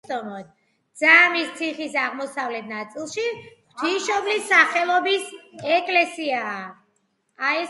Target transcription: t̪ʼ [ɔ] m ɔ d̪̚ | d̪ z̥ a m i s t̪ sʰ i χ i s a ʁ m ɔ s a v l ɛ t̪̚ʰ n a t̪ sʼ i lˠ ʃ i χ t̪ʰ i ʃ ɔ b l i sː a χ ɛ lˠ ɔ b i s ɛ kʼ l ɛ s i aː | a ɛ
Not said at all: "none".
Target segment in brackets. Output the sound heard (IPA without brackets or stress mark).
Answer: ɔ